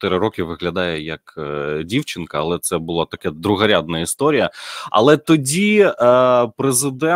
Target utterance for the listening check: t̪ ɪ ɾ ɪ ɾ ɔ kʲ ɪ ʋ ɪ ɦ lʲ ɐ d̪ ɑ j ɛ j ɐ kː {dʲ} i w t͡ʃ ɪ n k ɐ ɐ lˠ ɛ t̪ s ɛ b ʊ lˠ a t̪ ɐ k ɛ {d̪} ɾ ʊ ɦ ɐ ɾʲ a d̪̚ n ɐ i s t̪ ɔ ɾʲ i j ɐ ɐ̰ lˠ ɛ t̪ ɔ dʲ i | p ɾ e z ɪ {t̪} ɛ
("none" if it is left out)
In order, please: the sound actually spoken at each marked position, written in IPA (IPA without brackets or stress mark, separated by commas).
dʲ, d̪, d̪